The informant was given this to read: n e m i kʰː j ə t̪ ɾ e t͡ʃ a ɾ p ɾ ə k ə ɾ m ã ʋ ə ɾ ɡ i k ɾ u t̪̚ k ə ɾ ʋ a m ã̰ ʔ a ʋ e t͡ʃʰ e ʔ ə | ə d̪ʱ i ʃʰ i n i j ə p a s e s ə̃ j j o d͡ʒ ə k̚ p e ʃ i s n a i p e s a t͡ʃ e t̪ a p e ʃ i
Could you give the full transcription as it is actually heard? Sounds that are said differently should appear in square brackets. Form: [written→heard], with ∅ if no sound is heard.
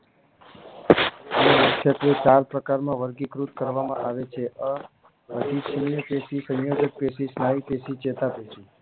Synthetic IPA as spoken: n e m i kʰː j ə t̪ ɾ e t͡ʃ a ɾ p ɾ ə k [ə→a] ɾ m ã ʋ ə ɾ ɡ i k ɾ u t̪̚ k ə ɾ ʋ a m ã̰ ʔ a ʋ e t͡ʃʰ e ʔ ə | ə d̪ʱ i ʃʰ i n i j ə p [a→e] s [e→i] s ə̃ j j o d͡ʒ ə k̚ p e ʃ i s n a i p e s [a→i] t͡ʃ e t̪ a p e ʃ i